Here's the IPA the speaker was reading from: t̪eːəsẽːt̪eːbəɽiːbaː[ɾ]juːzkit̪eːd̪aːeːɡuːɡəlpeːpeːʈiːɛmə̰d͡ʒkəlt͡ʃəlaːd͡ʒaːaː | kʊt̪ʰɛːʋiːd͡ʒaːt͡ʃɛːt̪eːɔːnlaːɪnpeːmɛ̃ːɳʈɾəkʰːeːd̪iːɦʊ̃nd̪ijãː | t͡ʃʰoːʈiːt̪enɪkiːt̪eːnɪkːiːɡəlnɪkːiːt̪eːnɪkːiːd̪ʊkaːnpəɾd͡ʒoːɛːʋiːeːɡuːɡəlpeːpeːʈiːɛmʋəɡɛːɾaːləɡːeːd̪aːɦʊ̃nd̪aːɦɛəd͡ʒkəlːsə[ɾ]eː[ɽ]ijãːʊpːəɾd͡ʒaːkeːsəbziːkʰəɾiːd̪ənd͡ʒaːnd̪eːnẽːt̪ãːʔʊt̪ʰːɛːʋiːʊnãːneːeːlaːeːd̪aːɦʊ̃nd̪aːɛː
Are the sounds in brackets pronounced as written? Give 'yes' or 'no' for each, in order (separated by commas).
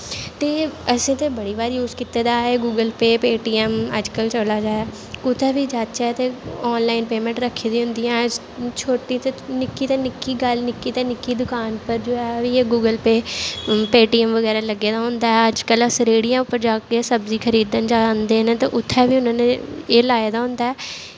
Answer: yes, yes, yes